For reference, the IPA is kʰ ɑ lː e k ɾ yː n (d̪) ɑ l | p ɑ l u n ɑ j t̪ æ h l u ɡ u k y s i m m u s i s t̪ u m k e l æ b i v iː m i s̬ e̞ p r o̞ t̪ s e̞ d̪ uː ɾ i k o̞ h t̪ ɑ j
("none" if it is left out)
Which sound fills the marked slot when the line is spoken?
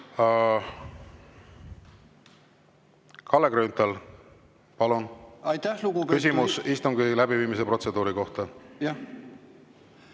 t̪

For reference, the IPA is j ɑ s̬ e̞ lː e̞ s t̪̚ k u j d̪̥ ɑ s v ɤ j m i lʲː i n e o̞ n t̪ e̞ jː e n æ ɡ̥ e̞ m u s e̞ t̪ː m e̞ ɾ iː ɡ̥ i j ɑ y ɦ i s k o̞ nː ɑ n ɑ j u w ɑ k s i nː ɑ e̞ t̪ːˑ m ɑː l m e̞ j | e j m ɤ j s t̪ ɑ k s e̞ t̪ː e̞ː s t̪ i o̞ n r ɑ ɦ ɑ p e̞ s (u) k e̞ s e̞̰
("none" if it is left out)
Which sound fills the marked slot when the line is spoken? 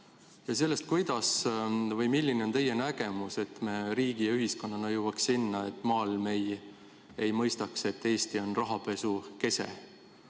u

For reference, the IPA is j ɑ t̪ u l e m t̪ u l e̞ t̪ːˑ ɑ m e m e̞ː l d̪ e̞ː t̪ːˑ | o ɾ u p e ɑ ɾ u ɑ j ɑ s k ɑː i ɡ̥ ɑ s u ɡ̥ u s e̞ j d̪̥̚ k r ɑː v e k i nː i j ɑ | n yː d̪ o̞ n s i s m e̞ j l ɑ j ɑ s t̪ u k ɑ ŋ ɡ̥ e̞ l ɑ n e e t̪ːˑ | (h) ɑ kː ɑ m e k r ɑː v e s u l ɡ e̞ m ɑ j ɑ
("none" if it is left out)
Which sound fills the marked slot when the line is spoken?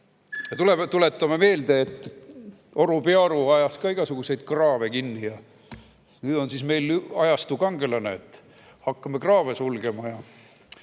h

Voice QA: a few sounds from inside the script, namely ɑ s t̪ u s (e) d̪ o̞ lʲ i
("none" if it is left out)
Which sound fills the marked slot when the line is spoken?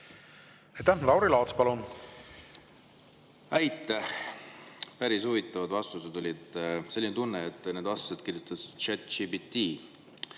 e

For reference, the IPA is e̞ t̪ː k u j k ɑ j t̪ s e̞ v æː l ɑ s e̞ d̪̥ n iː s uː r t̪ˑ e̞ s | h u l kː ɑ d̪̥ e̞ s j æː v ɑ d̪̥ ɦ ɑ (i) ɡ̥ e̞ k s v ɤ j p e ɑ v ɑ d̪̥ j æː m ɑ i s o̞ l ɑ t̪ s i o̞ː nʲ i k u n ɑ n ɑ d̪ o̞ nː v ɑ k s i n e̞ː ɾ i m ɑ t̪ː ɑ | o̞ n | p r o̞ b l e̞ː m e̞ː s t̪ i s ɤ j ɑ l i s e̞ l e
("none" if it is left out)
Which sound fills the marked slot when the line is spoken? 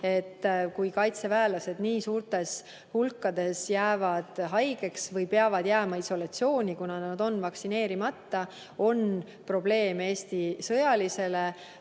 j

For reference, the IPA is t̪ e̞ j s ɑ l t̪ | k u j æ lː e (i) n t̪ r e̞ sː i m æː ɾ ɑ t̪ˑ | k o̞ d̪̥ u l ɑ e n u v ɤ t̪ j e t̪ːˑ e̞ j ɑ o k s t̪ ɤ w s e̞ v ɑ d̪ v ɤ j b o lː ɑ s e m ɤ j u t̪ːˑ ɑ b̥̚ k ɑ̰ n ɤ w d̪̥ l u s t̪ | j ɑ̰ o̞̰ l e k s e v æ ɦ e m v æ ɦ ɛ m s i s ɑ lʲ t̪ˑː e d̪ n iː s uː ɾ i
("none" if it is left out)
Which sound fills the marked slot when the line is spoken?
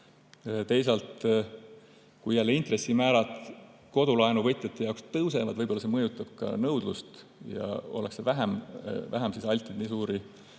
i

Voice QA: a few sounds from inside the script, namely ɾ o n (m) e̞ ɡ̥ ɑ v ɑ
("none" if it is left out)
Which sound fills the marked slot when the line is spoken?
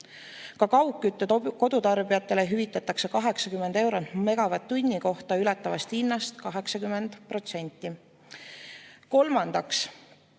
m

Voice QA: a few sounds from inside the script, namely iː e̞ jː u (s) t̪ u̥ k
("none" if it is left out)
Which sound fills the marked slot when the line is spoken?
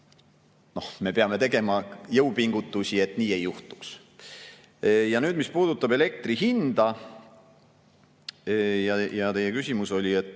h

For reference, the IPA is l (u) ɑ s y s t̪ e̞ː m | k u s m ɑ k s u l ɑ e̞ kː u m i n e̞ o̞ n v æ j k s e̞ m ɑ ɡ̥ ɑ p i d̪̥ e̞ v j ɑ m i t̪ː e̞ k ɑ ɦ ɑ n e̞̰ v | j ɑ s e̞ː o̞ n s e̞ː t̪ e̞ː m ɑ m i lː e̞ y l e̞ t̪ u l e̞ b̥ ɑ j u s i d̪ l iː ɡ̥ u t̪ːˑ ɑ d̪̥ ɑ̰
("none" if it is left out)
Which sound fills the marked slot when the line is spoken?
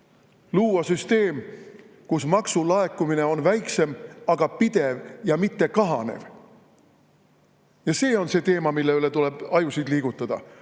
uː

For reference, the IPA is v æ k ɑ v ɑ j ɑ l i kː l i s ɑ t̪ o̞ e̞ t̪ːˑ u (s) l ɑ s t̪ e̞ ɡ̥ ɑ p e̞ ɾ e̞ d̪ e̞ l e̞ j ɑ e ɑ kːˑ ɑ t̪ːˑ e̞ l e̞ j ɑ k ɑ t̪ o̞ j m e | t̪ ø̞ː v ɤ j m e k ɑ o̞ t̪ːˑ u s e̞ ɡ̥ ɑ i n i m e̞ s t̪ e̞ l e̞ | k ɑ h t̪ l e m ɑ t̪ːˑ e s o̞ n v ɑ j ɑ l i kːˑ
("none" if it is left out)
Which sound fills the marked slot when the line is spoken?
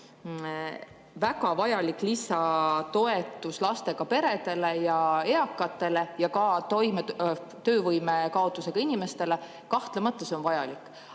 s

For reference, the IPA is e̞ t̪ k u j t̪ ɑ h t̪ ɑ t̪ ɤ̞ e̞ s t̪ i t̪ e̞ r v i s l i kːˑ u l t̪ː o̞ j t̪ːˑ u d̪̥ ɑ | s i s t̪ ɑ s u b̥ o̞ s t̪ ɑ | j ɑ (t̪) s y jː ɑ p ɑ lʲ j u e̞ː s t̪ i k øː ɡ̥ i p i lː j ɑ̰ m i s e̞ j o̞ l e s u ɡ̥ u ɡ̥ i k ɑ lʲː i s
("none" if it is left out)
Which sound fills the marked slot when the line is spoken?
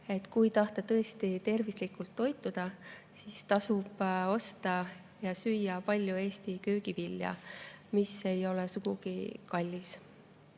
none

